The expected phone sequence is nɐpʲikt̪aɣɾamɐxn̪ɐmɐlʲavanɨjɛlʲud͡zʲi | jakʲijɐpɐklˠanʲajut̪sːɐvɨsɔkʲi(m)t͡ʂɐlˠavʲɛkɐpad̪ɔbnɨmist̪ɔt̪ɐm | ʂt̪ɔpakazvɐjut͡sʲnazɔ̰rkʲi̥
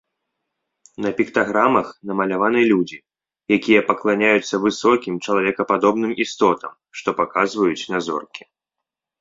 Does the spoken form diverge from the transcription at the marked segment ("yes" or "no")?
no